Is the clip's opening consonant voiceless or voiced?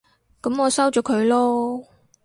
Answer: voiceless